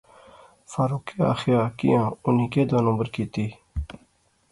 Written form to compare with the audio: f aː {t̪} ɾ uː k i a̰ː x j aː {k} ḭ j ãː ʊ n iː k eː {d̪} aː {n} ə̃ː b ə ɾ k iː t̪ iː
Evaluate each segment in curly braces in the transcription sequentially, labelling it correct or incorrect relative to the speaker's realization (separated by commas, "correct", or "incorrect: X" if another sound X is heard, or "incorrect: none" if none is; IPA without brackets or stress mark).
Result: incorrect: none, correct, correct, correct